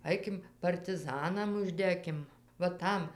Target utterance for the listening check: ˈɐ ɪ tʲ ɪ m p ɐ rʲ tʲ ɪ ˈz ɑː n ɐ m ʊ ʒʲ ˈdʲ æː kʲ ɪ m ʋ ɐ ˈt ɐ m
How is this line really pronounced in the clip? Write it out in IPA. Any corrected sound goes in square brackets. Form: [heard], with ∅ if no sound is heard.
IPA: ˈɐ ɪ [kʲ] ɪ m p ɐ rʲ tʲ ɪ ˈz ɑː n ɐ m ʊ ʒʲ ˈdʲ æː kʲ ɪ m ʋ ɐ ˈt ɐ m